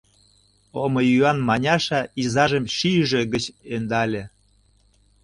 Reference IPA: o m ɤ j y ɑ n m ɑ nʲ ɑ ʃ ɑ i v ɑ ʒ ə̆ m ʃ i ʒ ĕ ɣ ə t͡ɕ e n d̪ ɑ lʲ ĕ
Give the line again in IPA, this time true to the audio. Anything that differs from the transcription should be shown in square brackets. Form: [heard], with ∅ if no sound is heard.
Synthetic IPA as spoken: o m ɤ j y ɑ n m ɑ nʲ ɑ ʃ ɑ i [z] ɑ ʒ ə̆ m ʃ i ʒ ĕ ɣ ə t͡ɕ e n d̪ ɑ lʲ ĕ